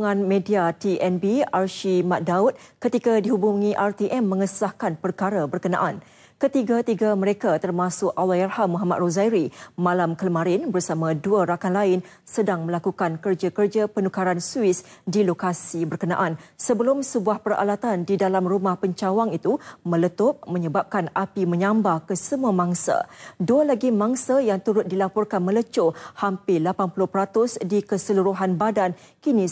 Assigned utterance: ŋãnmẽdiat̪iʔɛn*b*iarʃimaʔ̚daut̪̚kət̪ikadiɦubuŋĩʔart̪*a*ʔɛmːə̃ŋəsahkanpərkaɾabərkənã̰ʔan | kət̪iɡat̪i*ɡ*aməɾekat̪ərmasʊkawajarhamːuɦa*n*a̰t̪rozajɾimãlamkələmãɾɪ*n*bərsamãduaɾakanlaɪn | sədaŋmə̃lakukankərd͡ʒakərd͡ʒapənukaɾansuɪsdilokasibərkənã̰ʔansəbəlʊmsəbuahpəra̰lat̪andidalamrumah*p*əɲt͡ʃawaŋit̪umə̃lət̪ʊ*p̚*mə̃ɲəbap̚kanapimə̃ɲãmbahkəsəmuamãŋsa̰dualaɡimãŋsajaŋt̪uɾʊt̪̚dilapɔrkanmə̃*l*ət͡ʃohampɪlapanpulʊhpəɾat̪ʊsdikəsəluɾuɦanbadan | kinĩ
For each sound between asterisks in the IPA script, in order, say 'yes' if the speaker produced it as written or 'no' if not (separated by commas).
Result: yes, no, yes, no, yes, yes, yes, yes